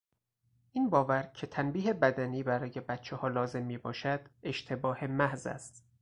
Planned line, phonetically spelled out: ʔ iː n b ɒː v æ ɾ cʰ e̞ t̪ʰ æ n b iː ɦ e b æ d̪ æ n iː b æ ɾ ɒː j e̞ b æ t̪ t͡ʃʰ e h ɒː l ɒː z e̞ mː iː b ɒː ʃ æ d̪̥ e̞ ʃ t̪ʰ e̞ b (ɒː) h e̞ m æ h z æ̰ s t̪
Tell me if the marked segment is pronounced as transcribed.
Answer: yes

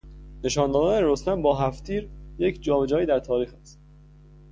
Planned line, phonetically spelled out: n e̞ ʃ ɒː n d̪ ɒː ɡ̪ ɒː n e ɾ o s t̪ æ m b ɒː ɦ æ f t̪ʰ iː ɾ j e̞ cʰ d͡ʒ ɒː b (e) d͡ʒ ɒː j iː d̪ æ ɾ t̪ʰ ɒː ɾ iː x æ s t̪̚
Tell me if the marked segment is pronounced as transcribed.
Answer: yes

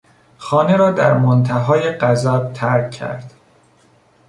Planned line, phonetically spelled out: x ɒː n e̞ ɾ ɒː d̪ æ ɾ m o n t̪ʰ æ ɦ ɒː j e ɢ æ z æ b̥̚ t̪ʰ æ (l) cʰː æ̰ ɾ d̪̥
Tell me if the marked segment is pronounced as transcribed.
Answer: no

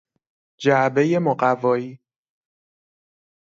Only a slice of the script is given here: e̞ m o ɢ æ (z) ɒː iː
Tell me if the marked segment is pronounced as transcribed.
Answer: no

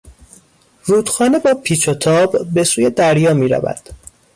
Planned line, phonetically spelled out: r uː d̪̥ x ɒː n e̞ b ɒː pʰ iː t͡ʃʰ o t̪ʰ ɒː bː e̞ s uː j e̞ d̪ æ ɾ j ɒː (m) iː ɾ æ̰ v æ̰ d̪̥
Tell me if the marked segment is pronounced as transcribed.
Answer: yes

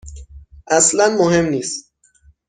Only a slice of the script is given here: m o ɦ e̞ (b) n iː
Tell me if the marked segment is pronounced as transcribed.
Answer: no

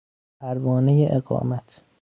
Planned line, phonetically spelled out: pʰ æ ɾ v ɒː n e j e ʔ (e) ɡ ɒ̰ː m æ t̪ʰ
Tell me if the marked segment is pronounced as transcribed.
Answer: yes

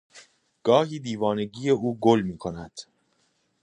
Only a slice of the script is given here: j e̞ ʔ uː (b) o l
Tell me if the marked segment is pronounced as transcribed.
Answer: no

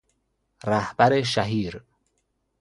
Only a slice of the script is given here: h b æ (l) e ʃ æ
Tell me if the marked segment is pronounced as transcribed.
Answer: no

